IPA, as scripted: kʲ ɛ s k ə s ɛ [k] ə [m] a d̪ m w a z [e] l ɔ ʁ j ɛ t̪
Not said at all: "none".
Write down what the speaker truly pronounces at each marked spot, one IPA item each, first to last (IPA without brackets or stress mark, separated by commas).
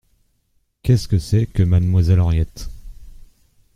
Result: k, m, ɛ